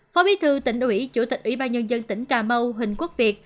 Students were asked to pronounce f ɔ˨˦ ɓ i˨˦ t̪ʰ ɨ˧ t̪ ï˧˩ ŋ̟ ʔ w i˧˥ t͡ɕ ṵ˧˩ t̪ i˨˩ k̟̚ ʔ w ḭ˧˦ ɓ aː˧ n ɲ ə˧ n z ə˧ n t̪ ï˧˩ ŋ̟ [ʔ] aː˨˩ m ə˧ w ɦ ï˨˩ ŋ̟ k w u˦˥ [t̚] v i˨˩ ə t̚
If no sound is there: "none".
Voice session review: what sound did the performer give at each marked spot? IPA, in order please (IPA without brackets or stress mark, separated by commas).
k, k̚